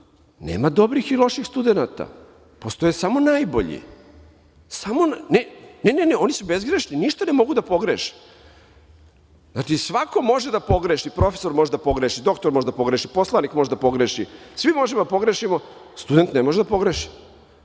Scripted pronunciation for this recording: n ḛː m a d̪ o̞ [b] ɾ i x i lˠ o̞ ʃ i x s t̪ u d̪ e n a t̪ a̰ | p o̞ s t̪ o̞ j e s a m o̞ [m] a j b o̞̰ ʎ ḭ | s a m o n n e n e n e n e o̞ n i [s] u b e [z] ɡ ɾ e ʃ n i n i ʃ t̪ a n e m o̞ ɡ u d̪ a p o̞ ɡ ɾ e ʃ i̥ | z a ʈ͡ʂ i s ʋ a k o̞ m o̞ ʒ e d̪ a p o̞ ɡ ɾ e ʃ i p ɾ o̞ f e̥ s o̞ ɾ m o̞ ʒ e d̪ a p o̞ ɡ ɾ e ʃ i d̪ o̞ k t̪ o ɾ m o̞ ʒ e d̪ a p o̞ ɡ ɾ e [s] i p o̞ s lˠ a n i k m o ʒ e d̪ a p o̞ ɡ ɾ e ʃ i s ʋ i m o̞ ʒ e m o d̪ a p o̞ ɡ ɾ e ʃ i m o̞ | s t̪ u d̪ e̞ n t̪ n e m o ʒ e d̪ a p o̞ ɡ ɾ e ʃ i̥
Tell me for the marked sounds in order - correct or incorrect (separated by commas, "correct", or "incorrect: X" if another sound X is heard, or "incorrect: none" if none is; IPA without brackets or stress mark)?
correct, incorrect: n, correct, correct, incorrect: ʃ